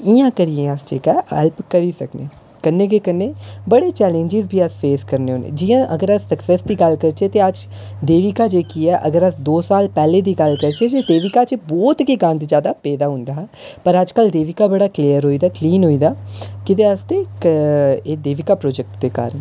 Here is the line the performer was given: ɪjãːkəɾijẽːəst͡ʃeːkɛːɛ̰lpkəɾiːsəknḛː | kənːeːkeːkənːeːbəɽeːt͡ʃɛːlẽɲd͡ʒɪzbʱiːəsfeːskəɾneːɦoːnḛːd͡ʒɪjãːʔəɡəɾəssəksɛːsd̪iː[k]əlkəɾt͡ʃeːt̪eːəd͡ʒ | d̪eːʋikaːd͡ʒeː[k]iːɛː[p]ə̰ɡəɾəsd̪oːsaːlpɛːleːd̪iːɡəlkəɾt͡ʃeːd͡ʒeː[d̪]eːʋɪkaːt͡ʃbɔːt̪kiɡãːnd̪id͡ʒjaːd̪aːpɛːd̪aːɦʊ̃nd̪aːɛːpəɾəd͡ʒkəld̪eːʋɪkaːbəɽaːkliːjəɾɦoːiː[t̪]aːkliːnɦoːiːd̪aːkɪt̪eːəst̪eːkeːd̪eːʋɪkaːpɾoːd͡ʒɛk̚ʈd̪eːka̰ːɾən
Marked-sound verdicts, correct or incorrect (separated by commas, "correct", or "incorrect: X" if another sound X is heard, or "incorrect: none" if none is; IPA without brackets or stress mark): incorrect: ɡ, correct, incorrect: ʔ, correct, incorrect: d̪